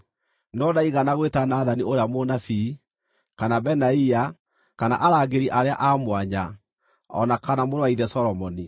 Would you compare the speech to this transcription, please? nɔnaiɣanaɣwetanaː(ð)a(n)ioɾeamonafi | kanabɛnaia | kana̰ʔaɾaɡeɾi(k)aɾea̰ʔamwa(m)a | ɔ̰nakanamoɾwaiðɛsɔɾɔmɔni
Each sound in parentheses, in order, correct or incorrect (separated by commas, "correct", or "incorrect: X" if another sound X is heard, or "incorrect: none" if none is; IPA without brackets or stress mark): correct, correct, incorrect: ʔ, incorrect: ɲ